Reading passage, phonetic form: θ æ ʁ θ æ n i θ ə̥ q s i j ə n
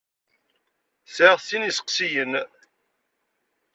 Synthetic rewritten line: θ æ ʁ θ i n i s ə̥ q s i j ə n